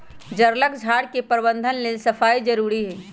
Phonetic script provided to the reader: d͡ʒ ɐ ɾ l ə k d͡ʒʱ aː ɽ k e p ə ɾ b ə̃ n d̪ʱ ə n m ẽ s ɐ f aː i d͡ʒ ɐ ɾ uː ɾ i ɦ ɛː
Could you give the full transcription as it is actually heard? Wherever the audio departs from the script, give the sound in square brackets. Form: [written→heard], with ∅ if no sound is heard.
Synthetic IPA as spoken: d͡ʒ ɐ ɾ l ə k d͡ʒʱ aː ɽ k e p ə ɾ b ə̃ n d̪ʱ ə n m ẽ s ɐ f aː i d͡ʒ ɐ ɾ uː ɾ i ɦ ɛː